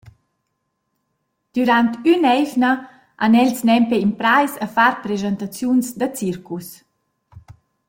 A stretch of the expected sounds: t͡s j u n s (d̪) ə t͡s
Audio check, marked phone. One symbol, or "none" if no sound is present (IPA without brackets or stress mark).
d̪